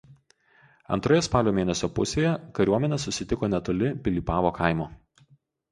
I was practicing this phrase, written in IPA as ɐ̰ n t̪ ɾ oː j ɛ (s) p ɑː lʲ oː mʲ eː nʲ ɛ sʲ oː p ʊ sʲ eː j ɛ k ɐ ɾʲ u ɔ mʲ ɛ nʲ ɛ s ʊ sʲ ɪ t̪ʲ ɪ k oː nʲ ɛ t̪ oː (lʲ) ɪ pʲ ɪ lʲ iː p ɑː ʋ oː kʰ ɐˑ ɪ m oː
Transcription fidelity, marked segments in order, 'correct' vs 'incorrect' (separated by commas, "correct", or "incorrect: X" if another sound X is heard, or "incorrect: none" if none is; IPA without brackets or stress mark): correct, correct